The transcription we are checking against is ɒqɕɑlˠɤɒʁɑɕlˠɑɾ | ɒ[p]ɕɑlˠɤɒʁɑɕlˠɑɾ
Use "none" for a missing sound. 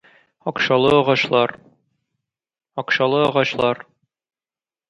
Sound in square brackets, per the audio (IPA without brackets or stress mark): q